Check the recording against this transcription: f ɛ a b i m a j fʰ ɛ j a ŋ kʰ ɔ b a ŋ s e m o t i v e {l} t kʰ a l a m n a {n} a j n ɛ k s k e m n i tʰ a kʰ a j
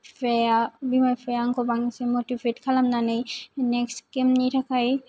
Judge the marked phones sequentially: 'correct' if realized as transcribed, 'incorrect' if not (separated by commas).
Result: incorrect, correct